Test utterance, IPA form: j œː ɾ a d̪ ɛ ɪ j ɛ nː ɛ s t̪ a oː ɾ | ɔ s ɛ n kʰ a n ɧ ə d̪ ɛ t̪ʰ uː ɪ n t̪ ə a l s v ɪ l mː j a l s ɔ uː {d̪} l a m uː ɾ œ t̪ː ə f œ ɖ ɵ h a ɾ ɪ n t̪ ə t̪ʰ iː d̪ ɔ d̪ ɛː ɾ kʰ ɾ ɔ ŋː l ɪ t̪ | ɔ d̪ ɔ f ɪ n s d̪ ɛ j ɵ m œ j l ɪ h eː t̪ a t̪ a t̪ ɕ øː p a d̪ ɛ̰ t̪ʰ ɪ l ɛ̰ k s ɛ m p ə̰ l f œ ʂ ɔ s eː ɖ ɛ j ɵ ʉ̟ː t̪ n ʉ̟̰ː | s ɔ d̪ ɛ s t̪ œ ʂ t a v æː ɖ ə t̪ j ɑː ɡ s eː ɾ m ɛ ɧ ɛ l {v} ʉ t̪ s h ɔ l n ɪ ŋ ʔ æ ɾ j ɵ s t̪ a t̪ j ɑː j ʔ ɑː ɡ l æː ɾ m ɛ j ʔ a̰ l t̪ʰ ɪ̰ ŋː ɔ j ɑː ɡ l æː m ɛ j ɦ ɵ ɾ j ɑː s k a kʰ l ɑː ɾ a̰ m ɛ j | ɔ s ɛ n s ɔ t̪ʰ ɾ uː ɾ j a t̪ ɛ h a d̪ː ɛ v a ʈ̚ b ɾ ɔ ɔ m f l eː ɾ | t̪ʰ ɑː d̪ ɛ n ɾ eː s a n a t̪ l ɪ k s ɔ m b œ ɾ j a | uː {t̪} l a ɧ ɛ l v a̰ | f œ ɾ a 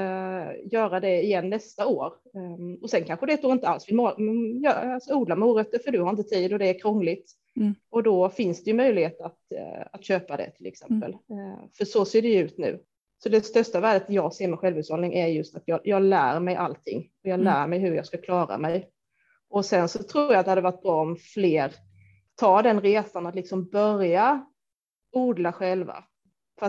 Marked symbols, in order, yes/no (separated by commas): yes, yes, no